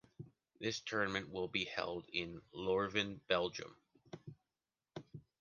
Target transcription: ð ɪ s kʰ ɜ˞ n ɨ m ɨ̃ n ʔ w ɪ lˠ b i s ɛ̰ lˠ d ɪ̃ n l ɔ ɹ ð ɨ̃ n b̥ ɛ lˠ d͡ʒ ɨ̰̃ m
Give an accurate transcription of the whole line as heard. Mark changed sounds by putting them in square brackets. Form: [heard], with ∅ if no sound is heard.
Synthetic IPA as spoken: ð ɪ s [tʰ] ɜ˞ n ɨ m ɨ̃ n ʔ w ɪ lˠ b i [h] ɛ̰ lˠ d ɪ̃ n l ɔ ɹ [v] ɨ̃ n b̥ ɛ lˠ d͡ʒ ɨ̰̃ m